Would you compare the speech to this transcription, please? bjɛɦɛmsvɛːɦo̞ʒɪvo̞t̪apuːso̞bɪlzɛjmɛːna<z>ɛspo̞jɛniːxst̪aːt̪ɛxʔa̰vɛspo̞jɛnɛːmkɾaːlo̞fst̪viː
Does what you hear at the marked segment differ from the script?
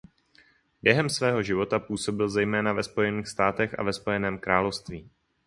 yes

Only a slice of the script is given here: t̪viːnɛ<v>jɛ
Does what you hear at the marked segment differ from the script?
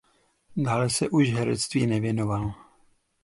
no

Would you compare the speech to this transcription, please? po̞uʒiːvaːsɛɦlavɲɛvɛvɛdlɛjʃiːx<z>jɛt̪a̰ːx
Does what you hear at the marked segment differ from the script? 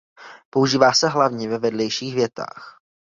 yes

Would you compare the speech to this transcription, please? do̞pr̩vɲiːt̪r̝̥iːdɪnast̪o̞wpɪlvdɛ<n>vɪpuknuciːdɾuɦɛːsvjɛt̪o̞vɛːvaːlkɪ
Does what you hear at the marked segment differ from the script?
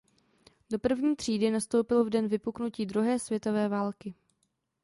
no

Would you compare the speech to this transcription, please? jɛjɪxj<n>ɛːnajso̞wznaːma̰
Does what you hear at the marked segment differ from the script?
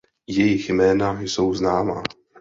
yes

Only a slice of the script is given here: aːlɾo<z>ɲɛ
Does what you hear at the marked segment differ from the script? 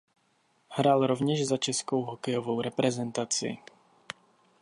yes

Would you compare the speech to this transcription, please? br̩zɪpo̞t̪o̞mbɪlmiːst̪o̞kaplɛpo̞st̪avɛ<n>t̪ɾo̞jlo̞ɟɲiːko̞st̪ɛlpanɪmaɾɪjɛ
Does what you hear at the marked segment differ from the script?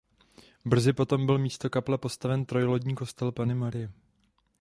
no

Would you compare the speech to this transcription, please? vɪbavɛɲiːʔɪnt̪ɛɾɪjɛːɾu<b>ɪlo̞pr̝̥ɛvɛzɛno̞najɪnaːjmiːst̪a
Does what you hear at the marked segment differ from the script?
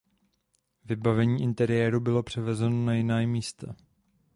no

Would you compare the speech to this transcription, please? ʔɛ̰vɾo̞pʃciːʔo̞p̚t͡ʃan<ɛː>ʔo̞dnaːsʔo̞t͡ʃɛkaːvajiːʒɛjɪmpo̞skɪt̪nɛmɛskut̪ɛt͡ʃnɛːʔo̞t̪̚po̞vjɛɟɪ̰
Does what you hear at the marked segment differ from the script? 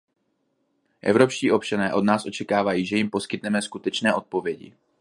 no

